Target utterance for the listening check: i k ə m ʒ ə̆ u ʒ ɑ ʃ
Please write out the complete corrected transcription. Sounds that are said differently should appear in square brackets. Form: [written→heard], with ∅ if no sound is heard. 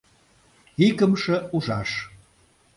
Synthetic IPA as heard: i k ə m [ʒ→ʃ] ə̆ u ʒ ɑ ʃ